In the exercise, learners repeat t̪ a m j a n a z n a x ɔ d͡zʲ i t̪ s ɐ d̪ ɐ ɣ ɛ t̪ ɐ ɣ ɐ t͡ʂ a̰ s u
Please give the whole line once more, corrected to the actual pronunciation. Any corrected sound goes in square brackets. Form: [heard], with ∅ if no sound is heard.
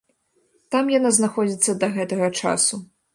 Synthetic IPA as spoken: t̪ a m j a n a z n a x ɔ d͡zʲ i t̪ [sː] ɐ d̪ ɐ ɣ ɛ t̪ ɐ ɣ ɐ t͡ʂ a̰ s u